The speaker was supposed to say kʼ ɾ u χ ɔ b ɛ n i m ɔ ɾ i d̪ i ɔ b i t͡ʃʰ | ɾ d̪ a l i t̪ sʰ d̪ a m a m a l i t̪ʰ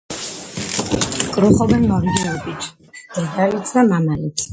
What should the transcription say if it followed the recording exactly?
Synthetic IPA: kʼ ɾ u χ ɔ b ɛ n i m ɔ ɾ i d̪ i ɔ b i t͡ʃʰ | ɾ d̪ a l i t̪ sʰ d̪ a m a m a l i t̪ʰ